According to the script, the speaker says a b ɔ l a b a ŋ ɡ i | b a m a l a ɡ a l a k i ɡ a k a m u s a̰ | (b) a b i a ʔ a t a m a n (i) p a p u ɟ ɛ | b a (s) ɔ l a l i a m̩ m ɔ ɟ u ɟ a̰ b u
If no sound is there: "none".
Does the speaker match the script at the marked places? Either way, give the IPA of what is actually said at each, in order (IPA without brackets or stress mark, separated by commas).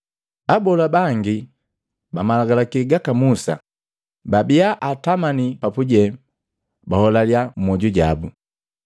b, i, h